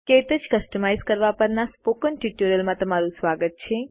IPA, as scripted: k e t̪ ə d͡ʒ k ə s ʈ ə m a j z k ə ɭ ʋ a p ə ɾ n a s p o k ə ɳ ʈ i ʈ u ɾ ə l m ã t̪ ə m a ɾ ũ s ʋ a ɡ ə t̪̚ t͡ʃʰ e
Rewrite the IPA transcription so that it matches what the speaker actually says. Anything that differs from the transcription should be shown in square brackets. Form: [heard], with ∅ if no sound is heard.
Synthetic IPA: k e t̪ ə d͡ʒ k ə s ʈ ə m a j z k ə [ɾ] ʋ a p ə ɾ n a s p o k ə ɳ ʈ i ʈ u ɾ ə l m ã t̪ ə m a ɾ ũ s ʋ a ɡ ə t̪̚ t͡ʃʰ e